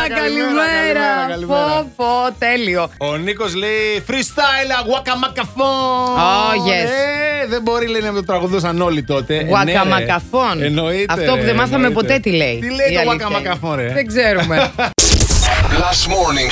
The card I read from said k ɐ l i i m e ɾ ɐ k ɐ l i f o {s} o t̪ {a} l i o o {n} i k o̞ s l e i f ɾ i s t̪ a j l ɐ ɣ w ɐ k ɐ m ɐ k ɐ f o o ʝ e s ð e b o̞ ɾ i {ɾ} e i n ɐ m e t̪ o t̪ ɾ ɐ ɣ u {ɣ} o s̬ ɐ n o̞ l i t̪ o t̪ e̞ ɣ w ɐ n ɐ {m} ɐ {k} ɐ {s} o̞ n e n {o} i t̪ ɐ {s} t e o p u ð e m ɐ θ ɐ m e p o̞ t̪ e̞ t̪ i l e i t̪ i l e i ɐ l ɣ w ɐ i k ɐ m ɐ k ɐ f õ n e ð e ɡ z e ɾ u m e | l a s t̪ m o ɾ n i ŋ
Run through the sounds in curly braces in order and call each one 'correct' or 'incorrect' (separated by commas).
incorrect, incorrect, correct, incorrect, incorrect, correct, correct, incorrect, correct, incorrect